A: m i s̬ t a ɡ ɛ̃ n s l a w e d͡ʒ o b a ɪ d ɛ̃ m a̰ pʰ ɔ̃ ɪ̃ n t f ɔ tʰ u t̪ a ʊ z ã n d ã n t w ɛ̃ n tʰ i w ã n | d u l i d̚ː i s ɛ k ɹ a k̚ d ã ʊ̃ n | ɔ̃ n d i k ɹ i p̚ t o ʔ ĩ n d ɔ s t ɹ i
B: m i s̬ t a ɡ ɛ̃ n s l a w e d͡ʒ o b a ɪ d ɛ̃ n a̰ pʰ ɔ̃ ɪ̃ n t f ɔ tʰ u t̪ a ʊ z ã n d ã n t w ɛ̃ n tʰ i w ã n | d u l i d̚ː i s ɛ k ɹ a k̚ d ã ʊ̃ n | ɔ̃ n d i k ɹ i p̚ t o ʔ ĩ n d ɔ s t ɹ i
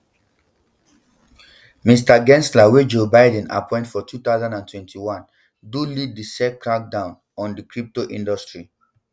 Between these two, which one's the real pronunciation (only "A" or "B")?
B